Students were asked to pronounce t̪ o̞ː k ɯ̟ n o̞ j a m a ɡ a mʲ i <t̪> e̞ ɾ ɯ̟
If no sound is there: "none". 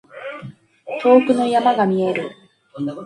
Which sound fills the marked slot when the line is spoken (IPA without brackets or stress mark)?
none